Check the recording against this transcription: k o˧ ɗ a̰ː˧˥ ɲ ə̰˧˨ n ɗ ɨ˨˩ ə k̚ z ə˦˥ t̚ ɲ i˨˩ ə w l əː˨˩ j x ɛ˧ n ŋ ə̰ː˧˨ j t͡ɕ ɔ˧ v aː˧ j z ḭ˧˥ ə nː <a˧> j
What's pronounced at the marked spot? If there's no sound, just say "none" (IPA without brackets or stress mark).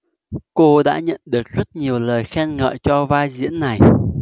a˨˩